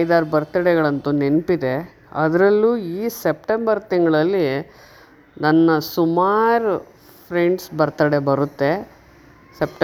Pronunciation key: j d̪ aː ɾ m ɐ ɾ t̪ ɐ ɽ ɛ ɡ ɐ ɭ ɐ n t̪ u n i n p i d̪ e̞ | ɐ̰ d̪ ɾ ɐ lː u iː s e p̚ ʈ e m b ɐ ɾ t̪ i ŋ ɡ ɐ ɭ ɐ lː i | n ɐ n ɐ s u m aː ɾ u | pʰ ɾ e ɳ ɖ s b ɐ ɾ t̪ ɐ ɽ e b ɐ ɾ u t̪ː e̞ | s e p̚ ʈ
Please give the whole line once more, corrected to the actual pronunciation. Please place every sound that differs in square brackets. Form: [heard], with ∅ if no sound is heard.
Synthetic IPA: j d̪ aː ɾ [b] ɐ ɾ t̪ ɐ ɽ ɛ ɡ ɐ ɭ ɐ n t̪ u n [e] n p i d̪ e̞ | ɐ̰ d̪ ɾ ɐ lː u iː s e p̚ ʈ e m b ɐ ɾ t̪ i ŋ ɡ ɐ ɭ ɐ lː i | n ɐ [nː] ɐ s u m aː ɾ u | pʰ ɾ e ɳ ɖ s b ɐ ɾ t̪ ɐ ɽ e b ɐ ɾ u t̪ː e̞ | s e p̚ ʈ